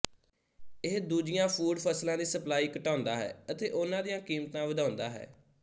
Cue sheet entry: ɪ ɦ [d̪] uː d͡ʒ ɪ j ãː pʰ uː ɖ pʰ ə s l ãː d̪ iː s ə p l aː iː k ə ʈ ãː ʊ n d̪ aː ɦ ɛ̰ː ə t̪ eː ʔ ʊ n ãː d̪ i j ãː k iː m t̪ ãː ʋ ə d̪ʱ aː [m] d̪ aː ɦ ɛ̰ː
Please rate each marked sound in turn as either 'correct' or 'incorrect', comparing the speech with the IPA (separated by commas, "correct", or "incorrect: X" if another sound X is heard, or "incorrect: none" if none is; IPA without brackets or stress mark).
correct, incorrect: n